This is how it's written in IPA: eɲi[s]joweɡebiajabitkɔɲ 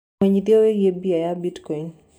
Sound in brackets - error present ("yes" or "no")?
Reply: yes